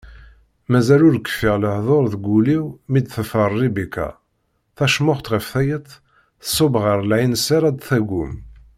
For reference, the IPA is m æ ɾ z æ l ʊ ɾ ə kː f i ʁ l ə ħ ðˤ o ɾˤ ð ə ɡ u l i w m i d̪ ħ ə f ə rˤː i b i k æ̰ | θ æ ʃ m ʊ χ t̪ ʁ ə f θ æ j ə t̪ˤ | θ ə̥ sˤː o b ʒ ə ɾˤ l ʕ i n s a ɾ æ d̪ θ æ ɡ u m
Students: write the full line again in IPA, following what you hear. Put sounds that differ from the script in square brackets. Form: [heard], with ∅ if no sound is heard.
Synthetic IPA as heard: m æ [∅] z æ l ʊ ɾ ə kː f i ʁ l ə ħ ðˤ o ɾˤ ð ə ɡ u l i w m i d̪ [θ] ə f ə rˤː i b i k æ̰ | θ æ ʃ m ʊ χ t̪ ʁ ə f θ æ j ə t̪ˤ | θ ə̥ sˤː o b [ʁ] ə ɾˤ l ʕ i n s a ɾ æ d̪ θ æ ɡ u m